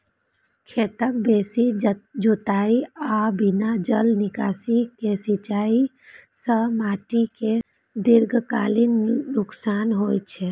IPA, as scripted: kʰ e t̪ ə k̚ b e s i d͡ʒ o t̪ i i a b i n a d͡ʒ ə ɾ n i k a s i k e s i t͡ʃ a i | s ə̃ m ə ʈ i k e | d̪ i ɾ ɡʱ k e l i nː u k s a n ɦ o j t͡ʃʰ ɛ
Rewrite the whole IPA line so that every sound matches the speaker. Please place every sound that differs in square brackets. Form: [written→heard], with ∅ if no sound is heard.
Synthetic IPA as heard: kʰ e t̪ ə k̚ b e s i d͡ʒ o t̪ [i→a] i a b i n a d͡ʒ ə [ɾ→l] n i k a s i k e s i t͡ʃ a i | s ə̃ m [ə→a] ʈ i k e | d̪ i ɾ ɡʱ k [e→a] l i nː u k s a n ɦ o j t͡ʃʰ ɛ